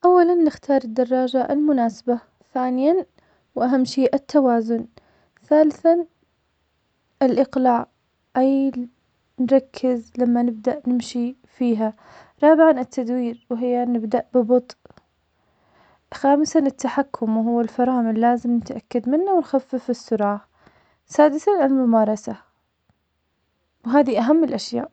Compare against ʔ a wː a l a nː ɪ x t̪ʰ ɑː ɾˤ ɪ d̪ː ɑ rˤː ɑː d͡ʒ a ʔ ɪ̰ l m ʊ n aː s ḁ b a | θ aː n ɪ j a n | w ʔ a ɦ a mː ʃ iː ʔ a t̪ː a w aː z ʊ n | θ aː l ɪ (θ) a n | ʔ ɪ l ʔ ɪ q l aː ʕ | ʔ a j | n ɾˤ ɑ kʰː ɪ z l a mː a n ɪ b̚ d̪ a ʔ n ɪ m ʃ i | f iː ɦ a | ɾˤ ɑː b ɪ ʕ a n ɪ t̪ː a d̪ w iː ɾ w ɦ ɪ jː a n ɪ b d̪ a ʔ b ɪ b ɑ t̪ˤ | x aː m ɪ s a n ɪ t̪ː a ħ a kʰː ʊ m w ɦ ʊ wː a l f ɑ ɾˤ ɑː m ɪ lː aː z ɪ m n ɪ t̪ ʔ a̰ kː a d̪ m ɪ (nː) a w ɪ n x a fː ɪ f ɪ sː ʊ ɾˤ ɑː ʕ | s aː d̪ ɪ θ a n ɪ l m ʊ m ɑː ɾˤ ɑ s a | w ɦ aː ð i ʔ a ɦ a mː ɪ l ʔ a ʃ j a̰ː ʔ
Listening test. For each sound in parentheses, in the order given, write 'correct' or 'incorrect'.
correct, correct

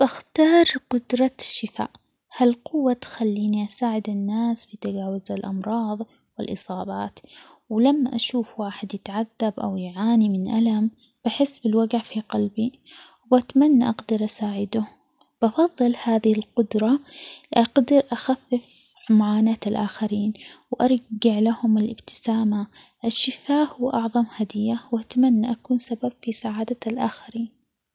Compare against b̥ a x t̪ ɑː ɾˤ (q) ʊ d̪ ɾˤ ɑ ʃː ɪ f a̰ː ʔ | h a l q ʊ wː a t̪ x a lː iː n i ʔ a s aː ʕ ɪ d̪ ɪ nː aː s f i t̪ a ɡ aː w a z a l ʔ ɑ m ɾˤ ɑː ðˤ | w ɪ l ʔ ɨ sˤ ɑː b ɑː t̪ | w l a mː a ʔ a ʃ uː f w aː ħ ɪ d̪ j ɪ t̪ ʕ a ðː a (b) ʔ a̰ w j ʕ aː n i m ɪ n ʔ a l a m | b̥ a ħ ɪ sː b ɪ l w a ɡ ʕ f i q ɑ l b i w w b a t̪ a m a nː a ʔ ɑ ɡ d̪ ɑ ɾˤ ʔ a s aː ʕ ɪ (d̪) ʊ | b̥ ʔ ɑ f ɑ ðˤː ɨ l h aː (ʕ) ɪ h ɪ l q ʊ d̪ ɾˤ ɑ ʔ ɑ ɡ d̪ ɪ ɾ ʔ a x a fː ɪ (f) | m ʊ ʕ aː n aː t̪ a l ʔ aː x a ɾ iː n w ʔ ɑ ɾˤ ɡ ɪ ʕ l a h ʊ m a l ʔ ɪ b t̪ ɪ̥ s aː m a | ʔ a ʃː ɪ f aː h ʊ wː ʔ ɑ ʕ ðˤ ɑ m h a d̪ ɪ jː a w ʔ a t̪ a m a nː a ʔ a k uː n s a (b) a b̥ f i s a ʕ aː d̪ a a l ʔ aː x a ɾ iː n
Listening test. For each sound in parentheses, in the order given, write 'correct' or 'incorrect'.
correct, correct, correct, incorrect: ð, correct, correct

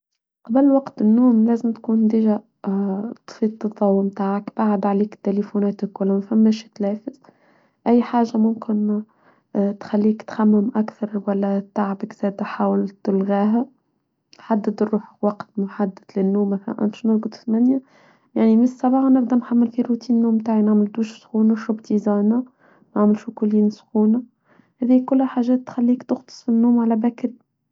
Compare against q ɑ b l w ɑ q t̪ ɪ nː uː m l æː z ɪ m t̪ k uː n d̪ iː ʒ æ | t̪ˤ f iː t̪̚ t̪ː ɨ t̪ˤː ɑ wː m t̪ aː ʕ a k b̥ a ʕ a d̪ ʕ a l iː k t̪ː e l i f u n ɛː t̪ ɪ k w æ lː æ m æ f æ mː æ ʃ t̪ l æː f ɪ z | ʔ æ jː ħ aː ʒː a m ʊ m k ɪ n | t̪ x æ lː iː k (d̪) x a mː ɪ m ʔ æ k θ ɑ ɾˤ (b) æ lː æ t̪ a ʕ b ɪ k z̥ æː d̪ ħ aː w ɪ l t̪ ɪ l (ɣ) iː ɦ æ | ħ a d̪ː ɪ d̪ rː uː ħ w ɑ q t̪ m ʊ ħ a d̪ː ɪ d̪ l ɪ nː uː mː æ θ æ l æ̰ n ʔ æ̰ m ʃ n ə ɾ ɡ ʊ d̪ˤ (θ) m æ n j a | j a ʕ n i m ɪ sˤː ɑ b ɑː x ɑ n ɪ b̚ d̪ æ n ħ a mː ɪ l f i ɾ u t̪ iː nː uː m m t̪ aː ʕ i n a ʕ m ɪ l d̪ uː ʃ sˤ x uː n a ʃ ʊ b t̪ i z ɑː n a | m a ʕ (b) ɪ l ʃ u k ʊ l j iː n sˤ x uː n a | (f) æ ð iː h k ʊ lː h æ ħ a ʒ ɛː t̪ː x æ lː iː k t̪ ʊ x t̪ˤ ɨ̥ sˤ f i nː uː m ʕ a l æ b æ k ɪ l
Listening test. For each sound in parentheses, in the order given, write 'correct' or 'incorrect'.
incorrect: t̪, incorrect: w, correct, correct, incorrect: m, incorrect: h

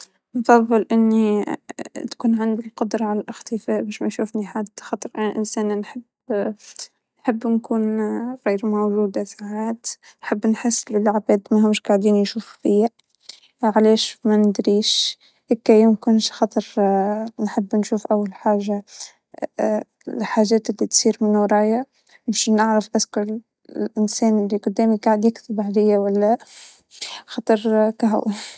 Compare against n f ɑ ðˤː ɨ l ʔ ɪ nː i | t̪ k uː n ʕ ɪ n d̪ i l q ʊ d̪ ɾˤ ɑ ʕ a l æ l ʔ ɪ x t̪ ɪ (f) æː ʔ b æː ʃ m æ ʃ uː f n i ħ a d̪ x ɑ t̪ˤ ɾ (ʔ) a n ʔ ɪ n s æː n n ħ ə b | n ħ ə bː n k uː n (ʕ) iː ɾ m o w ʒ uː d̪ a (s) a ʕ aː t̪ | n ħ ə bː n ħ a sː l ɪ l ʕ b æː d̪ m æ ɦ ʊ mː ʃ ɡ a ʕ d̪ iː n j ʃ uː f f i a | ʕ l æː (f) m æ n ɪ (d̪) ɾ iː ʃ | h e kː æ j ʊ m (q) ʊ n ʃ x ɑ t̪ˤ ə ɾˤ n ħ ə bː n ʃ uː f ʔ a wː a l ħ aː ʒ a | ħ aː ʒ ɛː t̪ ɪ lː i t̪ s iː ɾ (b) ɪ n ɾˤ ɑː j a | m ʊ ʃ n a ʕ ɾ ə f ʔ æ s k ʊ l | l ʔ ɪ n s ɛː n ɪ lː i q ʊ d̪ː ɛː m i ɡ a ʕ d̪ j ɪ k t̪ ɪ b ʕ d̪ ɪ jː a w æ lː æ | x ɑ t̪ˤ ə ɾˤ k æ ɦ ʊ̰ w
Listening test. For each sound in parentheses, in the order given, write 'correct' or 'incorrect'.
correct, correct, incorrect: ɣ, correct, incorrect: ʃ, correct, incorrect: k, incorrect: m

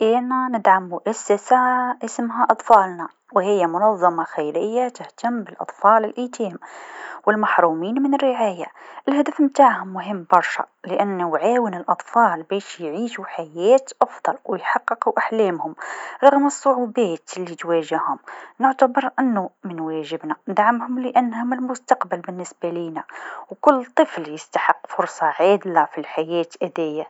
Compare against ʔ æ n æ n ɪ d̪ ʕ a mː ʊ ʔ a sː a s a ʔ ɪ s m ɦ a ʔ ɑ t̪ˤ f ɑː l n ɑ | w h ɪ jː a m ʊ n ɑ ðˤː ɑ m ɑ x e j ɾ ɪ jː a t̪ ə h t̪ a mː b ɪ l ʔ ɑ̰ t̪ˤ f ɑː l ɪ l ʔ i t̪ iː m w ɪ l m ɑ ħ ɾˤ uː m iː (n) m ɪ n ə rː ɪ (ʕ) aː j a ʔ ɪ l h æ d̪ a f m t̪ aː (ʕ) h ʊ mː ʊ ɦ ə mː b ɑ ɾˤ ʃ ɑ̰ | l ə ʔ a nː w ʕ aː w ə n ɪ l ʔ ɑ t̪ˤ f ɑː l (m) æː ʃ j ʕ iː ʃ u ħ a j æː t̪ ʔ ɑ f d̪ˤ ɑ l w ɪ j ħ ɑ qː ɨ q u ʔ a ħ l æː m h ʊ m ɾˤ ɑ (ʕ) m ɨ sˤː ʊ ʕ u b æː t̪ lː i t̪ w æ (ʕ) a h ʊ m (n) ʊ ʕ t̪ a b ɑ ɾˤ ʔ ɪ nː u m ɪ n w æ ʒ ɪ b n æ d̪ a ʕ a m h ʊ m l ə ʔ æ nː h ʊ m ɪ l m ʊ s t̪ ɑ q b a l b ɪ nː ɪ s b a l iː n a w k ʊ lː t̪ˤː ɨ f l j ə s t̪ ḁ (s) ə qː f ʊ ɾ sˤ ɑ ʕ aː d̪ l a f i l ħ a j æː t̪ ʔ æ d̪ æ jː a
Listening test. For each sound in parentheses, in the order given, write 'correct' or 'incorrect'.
correct, correct, correct, incorrect: b, incorrect: ɣ, incorrect: ʒ, correct, incorrect: ħ

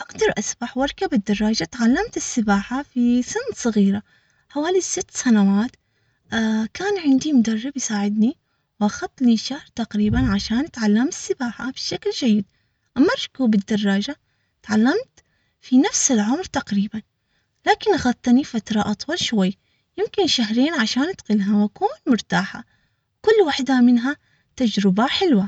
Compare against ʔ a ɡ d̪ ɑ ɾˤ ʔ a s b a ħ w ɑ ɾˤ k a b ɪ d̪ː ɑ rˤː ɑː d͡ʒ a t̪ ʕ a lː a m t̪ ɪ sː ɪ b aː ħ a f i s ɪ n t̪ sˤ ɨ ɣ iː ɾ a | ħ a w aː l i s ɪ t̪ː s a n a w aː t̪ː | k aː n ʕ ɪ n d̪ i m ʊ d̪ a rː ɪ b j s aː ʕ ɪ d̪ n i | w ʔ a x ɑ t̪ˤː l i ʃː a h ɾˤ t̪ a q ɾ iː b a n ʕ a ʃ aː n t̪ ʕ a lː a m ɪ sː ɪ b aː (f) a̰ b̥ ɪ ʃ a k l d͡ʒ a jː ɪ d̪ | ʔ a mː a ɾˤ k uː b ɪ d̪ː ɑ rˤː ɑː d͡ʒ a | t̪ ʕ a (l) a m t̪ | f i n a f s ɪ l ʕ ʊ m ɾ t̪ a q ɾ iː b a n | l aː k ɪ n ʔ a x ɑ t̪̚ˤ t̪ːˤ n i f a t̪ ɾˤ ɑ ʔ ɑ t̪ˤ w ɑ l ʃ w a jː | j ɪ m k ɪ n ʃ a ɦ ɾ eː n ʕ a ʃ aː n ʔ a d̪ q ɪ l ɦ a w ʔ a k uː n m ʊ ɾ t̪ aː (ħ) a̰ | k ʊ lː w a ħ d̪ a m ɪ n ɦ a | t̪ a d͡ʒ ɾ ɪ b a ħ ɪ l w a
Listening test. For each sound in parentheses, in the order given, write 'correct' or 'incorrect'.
incorrect: ħ, incorrect: lː, correct

